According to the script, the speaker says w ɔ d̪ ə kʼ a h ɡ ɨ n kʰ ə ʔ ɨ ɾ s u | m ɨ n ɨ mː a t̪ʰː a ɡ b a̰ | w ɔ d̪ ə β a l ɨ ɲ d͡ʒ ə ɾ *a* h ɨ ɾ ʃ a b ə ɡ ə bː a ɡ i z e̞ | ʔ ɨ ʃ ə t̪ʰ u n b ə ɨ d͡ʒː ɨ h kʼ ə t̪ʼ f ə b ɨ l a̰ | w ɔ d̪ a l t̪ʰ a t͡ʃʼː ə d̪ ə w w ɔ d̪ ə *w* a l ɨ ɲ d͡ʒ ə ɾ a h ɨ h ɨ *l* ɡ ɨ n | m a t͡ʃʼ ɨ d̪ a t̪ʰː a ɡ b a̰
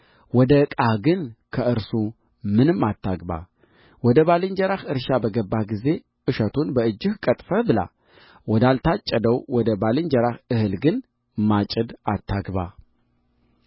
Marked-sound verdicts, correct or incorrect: correct, incorrect: b, correct

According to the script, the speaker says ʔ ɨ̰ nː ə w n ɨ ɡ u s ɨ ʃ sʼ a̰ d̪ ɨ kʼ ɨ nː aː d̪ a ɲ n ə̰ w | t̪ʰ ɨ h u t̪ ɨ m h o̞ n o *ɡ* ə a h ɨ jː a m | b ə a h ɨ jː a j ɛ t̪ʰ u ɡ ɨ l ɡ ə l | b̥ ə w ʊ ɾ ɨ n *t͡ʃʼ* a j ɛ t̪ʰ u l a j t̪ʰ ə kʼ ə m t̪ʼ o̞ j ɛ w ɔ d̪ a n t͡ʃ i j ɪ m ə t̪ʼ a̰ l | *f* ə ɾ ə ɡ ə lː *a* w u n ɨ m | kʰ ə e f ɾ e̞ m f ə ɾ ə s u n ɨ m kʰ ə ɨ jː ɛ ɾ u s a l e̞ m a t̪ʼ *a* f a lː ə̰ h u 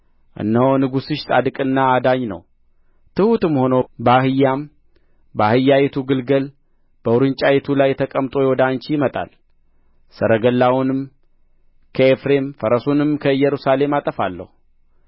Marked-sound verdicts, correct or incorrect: incorrect: b, correct, incorrect: s, correct, incorrect: ə

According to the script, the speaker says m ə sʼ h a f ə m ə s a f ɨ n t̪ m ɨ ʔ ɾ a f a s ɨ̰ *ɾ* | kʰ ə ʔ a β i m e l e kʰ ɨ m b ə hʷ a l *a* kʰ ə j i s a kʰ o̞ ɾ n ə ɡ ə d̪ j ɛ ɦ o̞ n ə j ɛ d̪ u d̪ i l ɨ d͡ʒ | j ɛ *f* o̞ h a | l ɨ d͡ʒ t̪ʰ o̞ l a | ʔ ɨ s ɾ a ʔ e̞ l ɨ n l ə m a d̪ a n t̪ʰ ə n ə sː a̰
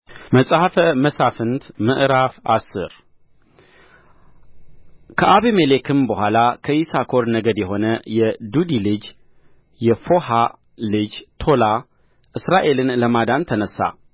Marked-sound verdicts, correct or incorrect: correct, correct, correct

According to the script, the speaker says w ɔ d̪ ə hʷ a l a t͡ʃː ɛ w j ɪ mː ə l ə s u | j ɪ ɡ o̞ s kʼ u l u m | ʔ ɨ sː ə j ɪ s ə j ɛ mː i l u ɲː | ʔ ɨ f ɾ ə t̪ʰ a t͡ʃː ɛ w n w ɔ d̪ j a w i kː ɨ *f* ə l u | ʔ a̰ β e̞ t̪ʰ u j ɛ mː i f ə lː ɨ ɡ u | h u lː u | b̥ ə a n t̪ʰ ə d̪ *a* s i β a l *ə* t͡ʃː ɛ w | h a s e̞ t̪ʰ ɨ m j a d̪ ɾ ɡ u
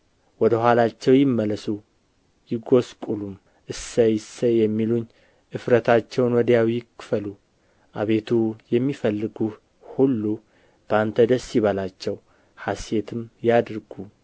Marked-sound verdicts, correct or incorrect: correct, incorrect: ə, incorrect: a

